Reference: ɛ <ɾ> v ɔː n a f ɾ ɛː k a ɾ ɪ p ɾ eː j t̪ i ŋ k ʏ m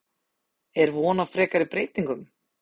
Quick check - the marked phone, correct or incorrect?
correct